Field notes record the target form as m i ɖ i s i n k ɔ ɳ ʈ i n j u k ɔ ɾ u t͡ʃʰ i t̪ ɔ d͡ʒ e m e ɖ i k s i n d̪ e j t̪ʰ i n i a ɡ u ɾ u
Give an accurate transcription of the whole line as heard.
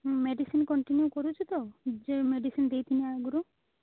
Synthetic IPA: m e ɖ i s i n k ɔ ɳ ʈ i n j u k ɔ ɾ u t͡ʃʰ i t̪ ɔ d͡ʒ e m e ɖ i s i n d̪ e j t̪ʰ i n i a ɡ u ɾ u